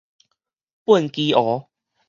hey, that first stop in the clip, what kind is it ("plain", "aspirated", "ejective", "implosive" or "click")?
plain